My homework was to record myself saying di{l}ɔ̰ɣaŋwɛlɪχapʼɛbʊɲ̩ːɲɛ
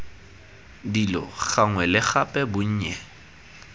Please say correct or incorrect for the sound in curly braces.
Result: correct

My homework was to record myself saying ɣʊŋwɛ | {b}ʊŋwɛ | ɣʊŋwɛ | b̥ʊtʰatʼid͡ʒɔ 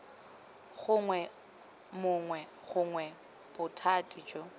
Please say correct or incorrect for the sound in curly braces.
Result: incorrect: m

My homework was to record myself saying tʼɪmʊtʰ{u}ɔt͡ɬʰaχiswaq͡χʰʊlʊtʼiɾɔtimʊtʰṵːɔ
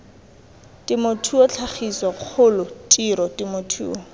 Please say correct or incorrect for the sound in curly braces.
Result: correct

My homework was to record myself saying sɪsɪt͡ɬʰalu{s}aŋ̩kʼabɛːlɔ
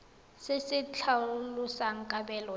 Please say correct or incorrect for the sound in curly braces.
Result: correct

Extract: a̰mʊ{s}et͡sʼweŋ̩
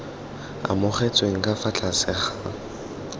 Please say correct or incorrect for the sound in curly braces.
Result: incorrect: χ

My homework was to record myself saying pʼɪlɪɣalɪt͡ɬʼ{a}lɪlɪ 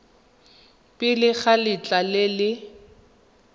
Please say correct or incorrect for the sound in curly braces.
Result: correct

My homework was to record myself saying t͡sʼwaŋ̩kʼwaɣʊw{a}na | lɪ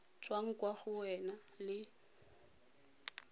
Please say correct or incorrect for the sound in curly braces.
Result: incorrect: ɛ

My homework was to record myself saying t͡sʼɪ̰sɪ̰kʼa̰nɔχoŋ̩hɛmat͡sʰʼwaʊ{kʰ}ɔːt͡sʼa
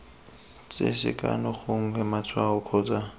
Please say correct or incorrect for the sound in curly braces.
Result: correct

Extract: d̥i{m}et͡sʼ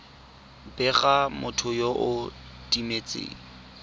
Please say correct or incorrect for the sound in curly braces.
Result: correct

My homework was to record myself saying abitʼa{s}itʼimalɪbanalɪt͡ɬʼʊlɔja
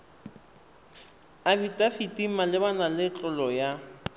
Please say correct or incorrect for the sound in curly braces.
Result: incorrect: f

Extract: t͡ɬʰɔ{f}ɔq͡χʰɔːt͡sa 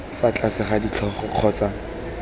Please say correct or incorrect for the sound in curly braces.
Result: incorrect: χ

